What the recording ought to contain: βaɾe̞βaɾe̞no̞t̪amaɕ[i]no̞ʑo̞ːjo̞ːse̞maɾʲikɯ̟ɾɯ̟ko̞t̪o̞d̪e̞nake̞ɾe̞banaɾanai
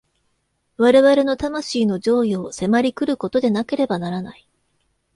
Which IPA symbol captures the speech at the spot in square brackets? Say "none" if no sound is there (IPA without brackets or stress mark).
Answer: iː